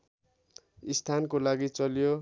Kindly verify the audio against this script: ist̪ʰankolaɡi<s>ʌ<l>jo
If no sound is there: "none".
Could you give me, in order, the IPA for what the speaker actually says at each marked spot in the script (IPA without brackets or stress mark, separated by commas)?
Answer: t͡s, l